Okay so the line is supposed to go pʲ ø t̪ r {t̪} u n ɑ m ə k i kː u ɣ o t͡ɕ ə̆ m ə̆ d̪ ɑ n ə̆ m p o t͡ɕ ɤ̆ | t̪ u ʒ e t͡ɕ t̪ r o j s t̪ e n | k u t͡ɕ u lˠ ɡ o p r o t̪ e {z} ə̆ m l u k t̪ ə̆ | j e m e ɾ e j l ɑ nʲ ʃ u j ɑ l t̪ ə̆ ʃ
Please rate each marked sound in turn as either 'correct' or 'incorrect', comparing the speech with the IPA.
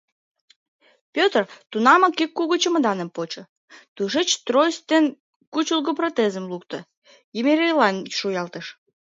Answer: correct, correct

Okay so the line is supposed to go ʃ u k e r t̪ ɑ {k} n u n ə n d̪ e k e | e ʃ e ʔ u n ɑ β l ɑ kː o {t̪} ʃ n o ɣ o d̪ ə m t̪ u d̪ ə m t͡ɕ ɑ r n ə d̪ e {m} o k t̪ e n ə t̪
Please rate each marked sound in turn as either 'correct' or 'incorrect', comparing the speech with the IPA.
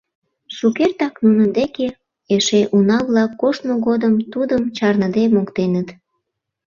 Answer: correct, incorrect, correct

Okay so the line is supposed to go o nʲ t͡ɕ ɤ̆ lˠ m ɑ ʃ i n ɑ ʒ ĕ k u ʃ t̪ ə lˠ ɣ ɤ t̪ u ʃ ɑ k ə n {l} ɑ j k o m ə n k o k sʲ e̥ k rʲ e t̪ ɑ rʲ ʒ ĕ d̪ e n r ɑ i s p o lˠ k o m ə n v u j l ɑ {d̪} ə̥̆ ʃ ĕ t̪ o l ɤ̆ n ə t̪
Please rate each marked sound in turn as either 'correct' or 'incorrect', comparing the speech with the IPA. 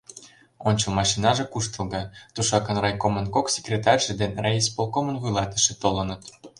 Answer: incorrect, incorrect

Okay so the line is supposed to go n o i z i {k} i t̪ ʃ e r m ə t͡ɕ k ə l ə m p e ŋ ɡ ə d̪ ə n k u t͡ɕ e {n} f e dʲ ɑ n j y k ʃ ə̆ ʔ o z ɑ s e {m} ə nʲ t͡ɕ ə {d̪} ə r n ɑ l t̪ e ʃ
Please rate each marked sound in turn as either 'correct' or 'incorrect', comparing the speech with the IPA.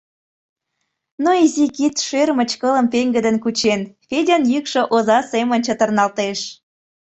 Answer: correct, correct, correct, incorrect

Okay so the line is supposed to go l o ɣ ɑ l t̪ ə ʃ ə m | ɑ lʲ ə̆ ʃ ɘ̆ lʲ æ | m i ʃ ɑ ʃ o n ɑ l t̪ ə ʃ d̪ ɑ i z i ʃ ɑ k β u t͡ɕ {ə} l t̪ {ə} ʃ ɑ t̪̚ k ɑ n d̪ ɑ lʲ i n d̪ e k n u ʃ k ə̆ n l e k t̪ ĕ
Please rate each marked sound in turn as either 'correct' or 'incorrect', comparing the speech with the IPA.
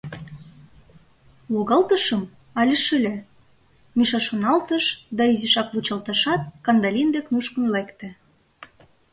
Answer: incorrect, incorrect

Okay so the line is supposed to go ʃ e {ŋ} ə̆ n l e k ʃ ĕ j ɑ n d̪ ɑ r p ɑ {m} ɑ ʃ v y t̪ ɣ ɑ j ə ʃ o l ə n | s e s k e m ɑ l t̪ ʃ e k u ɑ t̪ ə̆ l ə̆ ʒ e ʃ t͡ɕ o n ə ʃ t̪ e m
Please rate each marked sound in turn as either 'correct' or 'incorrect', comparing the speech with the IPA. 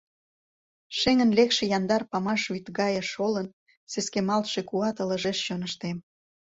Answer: correct, correct

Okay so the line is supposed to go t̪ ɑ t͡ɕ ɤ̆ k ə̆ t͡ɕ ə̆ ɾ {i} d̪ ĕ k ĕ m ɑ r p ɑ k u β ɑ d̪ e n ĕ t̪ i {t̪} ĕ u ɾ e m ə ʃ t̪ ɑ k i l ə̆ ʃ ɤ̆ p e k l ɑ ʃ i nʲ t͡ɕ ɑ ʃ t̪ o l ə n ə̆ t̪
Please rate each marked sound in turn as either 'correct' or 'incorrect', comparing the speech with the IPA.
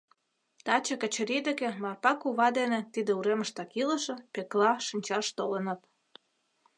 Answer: correct, incorrect

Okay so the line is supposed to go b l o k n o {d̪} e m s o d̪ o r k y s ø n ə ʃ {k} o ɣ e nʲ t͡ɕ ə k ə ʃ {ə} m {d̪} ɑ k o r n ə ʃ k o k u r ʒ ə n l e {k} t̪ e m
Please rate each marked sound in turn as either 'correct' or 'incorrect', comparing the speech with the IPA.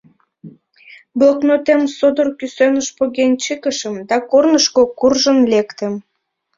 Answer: incorrect, incorrect, correct, correct, correct

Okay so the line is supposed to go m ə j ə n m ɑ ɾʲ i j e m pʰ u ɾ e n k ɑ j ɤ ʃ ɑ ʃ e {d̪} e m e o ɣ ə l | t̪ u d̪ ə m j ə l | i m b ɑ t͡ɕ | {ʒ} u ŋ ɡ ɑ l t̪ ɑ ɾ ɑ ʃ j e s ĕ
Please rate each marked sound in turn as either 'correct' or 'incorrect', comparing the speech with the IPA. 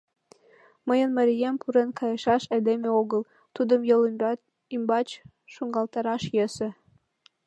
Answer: correct, incorrect

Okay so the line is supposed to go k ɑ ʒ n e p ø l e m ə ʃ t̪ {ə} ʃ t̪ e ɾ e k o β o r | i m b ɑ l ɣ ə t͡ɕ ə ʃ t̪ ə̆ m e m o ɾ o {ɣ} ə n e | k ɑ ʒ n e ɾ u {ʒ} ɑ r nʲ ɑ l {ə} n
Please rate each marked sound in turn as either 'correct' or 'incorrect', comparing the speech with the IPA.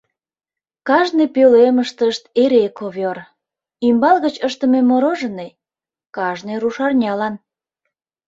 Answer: correct, incorrect, incorrect, incorrect

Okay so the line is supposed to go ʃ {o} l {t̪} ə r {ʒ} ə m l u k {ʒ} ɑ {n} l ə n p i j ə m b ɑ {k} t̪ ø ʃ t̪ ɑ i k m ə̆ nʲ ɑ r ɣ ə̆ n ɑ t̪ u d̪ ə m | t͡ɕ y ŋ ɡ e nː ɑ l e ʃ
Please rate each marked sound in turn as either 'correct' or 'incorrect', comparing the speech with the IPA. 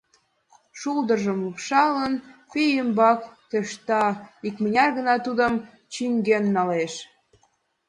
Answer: incorrect, incorrect, correct, incorrect, incorrect, correct

